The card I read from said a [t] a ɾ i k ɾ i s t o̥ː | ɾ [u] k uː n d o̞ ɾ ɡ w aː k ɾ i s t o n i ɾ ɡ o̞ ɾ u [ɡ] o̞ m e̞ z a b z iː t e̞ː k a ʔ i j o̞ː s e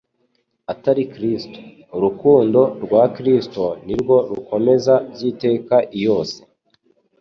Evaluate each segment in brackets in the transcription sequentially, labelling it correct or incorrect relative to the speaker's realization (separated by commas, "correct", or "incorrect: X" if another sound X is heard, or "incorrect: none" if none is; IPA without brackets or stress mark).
correct, correct, incorrect: k